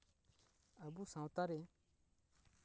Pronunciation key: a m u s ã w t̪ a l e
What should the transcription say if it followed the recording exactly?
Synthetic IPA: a b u s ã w t̪ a ɾ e

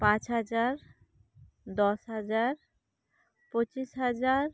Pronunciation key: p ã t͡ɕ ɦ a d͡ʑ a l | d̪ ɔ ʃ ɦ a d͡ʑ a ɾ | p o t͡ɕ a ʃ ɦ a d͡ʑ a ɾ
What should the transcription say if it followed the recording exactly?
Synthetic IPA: p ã t͡ɕ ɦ a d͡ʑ a ɾ | d̪ ɔ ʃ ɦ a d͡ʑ a ɾ | p o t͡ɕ i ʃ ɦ a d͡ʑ a ɾ

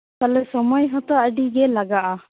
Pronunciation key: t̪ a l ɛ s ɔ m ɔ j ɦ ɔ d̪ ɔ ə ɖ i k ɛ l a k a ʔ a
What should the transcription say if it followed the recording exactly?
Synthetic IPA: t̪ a l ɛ s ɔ m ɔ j ɦ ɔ t̪ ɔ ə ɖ i ɡ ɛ l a ɡ a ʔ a

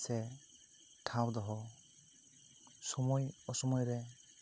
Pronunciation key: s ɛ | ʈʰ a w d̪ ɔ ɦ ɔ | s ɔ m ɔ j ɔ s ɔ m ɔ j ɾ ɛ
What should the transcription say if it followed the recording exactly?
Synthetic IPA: s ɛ | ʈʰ a w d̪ ɔ ɦ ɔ | s ɔ m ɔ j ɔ s ɔ m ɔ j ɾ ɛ

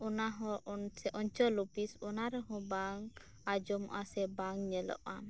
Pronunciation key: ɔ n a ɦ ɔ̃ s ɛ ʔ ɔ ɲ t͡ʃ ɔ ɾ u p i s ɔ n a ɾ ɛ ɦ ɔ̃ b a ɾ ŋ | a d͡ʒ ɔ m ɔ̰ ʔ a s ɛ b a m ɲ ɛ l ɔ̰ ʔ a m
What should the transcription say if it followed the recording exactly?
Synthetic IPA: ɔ n a ɦ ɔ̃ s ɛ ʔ ɔ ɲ t͡ʃ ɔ l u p i s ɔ n a ɾ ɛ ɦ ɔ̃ b a ŋ | a d͡ʒ ɔ m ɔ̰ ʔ a s ɛ b a ŋ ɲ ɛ l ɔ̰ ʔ a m

